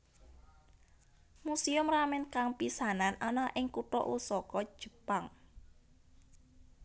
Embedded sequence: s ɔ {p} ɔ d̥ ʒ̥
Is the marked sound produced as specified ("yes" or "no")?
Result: no